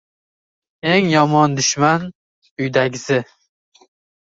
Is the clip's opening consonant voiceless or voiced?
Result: voiced